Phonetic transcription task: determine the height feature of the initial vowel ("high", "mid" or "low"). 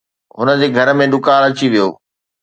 high